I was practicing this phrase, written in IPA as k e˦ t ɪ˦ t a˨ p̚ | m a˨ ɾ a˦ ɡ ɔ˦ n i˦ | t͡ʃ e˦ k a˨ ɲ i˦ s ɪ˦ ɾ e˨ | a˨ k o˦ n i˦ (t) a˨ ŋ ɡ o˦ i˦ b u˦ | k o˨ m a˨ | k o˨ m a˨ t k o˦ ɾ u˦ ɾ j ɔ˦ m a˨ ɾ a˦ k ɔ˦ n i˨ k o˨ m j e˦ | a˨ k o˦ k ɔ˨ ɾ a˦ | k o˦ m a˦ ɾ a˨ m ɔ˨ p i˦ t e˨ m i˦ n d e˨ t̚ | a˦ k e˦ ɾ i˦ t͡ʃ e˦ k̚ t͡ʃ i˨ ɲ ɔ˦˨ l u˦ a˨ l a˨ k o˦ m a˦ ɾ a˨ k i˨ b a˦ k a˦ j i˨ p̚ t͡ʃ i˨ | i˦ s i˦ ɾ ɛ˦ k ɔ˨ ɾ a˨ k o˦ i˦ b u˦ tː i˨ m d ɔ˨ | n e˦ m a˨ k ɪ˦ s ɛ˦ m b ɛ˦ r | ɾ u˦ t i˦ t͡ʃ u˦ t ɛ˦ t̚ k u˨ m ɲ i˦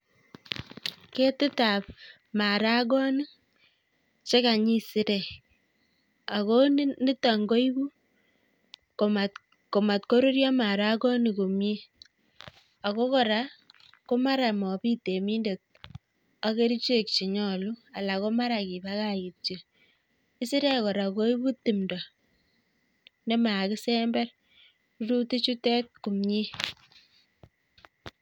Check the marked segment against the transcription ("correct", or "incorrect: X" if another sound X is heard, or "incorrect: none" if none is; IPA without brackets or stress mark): correct